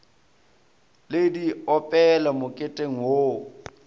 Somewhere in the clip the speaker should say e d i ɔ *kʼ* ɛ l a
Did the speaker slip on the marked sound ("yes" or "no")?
yes